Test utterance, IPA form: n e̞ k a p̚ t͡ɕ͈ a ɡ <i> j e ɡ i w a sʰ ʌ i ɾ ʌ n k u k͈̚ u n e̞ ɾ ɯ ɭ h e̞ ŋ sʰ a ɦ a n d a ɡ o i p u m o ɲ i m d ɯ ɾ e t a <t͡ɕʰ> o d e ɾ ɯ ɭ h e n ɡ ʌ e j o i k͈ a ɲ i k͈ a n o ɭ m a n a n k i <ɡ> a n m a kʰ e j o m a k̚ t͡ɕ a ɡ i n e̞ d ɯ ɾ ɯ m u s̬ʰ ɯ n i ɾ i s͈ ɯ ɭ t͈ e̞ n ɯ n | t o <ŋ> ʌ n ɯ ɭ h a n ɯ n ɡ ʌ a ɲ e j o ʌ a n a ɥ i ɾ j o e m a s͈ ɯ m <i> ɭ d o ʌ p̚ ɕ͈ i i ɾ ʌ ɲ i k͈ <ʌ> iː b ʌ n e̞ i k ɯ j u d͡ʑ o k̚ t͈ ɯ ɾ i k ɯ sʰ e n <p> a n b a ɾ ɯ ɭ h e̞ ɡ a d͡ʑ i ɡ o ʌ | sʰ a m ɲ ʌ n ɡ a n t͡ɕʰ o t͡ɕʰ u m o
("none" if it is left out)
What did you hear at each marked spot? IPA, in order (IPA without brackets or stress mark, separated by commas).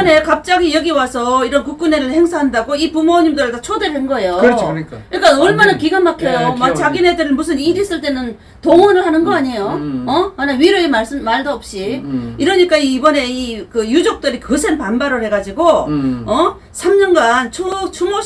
i, t͡ɕʰ, ɡ, ŋ, a, a, p